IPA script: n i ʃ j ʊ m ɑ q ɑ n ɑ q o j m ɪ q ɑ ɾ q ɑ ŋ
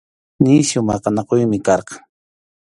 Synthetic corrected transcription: n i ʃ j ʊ m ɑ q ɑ n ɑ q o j m ɪ k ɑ ɾ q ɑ ŋ